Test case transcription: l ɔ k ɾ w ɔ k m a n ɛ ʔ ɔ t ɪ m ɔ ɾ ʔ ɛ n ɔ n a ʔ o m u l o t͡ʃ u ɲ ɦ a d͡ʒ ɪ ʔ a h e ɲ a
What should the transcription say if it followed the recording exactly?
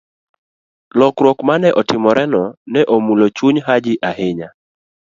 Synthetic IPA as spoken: l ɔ k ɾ w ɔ k m a n ɛ ʔ ɔ t ɪ m ɔ ɾ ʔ ɛ n ɔ n ɛ ʔ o m u l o t͡ʃ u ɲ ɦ a d͡ʒ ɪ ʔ a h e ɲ a